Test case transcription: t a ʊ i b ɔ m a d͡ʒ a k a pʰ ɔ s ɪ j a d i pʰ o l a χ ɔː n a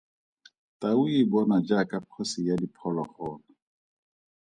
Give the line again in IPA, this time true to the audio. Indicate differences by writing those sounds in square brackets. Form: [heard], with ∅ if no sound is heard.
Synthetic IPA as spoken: t a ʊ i b ɔ [n] a d͡ʒ a k a pʰ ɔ s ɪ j a d i pʰ [ɔ] l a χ ɔː n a